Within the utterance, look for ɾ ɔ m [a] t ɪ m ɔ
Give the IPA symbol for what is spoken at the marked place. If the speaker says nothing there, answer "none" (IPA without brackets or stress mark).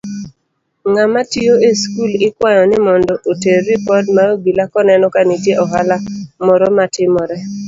a